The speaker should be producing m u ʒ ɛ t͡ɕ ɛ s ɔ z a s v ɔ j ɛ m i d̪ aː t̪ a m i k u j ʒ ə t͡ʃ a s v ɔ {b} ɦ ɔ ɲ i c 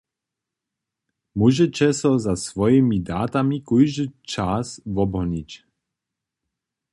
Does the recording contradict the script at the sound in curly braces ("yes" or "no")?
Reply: no